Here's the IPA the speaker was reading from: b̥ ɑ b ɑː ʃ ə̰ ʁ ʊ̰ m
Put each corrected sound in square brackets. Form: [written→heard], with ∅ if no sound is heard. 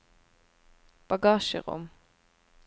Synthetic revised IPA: b̥ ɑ [b→ɡ] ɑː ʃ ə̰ ʁ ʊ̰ m